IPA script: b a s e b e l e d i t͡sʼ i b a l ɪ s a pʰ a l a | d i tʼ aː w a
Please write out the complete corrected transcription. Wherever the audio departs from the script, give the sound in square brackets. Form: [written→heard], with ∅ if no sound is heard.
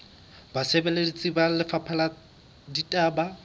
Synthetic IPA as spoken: b a s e b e l e d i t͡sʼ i b a l ɪ [s→f] a pʰ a l a | d i tʼ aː [w→b] a